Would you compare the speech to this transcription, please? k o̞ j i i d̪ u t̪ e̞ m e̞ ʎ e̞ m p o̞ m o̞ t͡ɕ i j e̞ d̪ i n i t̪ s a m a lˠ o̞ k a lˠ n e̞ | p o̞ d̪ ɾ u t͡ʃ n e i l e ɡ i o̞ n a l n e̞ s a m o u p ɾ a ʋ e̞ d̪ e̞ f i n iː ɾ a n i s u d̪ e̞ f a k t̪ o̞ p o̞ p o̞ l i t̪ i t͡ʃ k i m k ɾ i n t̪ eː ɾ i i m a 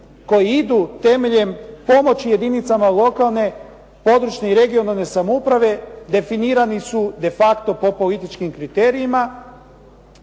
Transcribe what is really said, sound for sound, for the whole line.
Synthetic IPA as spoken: k o̞ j i i d̪ u t̪ e̞ m e̞ ʎ e̞ m p o̞ m o̞ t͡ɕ i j e̞ d̪ i n i t̪ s a m a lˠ o̞ k a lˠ n e̞ | p o̞ d̪ ɾ u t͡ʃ n e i ɾ e ɡ i o̞ n a l n e̞ s a m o u p ɾ a ʋ e̞ d̪ e̞ f i n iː ɾ a n i s u d̪ e̞ f a k t̪ o̞ p o̞ p o̞ l i t̪ i t͡ʃ k i m k ɾ i t̪ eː ɾ i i m a